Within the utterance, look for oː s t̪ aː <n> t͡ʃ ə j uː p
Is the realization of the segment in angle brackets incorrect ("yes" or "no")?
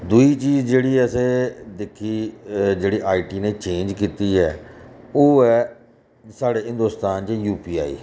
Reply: no